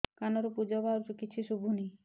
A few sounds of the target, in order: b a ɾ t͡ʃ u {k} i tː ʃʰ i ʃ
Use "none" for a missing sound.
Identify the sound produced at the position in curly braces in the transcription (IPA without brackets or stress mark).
k